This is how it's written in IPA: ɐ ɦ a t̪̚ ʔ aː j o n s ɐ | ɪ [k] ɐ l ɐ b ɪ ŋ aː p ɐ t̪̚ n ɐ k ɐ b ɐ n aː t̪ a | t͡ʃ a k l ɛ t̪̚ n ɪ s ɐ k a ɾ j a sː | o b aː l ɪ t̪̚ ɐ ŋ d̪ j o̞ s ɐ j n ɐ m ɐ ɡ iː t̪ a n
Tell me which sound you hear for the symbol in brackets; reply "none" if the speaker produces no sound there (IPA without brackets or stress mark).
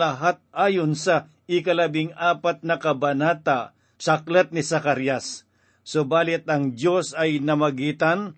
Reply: k